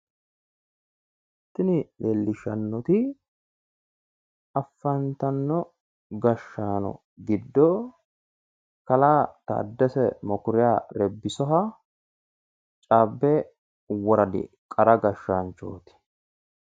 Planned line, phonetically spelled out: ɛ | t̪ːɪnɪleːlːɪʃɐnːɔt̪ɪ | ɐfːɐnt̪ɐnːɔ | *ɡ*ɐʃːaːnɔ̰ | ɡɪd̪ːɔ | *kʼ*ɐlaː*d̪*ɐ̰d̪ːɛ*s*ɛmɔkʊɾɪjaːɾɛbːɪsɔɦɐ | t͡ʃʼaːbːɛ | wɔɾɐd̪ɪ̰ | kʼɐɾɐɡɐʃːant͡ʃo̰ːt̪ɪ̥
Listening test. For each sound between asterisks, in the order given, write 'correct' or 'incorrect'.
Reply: correct, incorrect, incorrect, correct

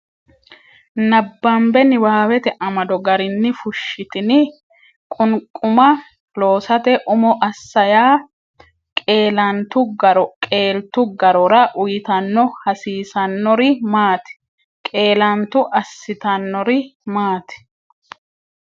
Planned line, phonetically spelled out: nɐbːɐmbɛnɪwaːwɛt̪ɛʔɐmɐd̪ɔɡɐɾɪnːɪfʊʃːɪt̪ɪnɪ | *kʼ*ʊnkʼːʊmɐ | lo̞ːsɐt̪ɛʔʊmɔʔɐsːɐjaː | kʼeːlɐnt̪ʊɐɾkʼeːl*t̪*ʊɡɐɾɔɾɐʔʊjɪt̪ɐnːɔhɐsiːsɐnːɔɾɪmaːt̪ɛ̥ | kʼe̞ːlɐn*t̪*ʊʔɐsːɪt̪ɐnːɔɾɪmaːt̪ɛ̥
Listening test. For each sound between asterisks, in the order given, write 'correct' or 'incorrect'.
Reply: correct, correct, correct

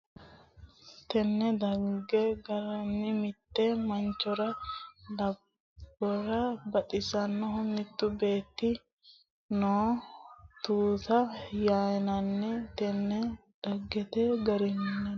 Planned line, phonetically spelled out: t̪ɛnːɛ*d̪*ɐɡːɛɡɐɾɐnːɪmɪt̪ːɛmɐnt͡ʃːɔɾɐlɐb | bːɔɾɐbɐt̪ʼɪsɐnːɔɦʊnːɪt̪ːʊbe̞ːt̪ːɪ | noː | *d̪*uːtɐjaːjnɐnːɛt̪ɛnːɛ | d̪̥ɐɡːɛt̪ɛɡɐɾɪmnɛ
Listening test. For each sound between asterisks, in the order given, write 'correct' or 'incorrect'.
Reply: correct, incorrect

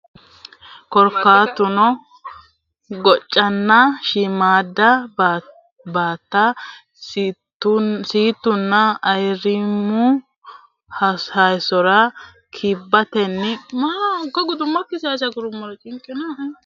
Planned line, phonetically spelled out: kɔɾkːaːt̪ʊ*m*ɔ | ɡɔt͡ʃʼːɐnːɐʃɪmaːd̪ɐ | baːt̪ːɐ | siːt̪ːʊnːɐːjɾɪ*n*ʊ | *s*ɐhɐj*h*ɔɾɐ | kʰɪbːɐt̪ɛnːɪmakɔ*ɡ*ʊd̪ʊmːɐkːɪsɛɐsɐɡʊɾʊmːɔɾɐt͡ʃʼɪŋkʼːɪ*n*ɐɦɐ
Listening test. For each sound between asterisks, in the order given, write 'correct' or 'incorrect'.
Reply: incorrect, incorrect, incorrect, incorrect, correct, correct

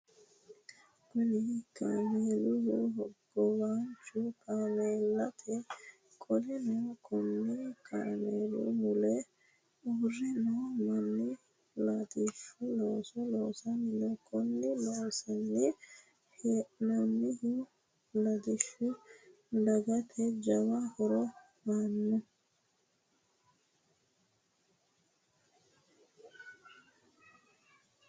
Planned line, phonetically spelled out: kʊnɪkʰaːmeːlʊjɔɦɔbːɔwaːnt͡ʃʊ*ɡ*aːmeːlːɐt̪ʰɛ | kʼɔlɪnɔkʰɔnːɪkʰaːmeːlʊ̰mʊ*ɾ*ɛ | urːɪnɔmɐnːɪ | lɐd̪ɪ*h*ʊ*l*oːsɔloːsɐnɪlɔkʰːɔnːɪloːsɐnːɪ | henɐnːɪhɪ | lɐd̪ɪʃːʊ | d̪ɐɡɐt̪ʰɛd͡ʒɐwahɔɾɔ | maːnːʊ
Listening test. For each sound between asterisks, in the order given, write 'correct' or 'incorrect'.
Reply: incorrect, incorrect, incorrect, correct

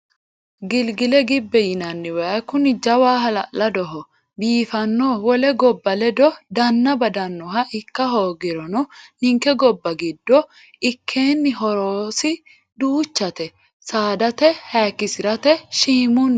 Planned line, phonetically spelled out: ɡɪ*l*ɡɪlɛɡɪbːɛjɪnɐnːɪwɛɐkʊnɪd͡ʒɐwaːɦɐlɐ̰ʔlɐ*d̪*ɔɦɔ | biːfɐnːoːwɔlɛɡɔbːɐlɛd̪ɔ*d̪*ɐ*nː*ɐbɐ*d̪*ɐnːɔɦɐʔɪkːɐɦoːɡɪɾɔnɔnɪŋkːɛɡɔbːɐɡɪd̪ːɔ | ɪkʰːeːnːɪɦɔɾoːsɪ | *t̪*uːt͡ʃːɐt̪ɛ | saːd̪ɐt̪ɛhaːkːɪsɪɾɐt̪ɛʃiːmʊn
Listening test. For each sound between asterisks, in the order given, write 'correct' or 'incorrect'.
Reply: correct, correct, correct, correct, correct, incorrect

